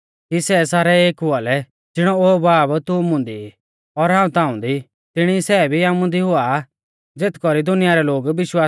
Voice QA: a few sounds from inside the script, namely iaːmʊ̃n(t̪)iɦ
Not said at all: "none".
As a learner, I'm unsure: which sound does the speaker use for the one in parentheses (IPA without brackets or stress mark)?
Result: d̪